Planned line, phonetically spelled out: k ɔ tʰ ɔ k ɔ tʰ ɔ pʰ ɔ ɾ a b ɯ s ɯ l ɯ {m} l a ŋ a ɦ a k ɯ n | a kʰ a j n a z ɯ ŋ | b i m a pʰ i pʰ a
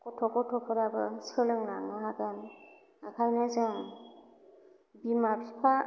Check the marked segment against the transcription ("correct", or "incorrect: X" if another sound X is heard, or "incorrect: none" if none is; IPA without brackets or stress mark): incorrect: ŋ